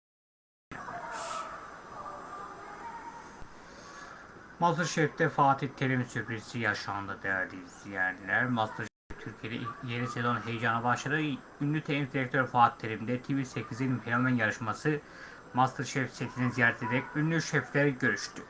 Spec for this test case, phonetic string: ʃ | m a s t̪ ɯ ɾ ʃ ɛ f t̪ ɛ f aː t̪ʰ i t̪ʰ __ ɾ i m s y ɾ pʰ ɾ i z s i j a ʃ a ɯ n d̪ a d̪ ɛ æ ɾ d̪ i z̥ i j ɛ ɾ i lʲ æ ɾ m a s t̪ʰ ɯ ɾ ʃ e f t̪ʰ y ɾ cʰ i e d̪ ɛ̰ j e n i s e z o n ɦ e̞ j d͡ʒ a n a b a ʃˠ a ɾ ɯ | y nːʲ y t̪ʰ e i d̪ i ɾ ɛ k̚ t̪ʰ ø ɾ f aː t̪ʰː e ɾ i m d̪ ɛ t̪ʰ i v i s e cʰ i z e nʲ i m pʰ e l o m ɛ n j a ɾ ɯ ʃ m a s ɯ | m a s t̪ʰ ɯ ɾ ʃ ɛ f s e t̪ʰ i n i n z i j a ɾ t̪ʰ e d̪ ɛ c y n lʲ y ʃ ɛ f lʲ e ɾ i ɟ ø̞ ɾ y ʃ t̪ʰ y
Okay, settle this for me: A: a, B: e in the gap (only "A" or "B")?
B